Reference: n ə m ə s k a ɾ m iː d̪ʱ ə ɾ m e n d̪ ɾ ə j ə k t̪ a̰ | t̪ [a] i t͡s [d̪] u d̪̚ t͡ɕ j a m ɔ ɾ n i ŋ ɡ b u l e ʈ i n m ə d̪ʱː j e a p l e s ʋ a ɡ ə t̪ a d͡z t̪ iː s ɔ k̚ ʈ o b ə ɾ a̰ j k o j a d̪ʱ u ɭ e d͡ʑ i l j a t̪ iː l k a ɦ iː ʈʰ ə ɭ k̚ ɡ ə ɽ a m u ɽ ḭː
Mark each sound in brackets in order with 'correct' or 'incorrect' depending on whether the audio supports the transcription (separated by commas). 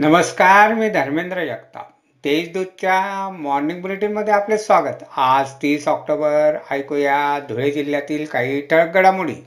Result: incorrect, correct